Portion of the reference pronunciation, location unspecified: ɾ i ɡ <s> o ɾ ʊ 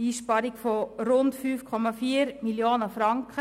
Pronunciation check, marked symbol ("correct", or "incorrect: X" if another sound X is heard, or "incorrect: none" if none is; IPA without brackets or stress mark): incorrect: f